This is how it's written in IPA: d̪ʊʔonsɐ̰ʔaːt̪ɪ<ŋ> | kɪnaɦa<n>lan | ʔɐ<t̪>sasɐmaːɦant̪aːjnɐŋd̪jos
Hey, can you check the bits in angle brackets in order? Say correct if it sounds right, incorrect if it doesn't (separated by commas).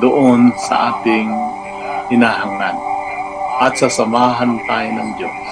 correct, incorrect, correct